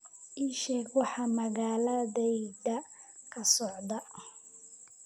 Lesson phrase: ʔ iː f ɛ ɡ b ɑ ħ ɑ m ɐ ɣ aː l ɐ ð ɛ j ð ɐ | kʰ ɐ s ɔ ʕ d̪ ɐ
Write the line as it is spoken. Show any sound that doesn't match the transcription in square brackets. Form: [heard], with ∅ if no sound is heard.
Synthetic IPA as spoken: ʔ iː [ʃ] ɛ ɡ [w] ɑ ħ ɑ m ɐ ɣ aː l ɐ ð ɛ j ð ɐ | kʰ ɐ s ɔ ʕ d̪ ɐ

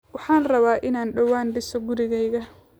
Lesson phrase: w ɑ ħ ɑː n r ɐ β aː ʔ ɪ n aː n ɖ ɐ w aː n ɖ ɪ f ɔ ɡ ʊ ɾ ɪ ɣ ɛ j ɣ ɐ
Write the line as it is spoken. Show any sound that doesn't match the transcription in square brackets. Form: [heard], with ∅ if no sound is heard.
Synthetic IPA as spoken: w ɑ ħ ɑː n r ɐ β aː ʔ ɪ n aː n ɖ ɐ w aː n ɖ ɪ [s] ɔ ɡ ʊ ɾ ɪ ɣ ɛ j ɣ ɐ

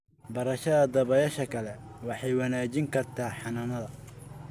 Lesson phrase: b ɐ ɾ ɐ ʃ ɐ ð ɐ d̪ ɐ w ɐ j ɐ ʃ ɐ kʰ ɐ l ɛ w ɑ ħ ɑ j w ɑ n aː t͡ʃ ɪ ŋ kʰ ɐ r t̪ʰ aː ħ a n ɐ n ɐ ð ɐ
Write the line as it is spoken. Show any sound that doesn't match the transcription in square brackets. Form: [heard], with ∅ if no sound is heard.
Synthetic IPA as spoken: b ɐ ɾ ɐ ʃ ɐ ð ɐ d̪ ɐ [β] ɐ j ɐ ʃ ɐ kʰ ɐ l ɛ w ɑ ħ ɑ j w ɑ n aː t͡ʃ ɪ ŋ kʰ ɐ r t̪ʰ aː ħ [ɑ] n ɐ n ɐ ð ɐ

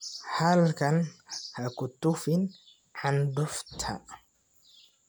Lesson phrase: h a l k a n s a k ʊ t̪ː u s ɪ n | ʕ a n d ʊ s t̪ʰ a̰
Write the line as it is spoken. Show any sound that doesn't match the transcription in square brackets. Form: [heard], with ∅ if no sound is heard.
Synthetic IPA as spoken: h a l k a n [h] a k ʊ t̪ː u [f] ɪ n | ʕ a n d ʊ [f] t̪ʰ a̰

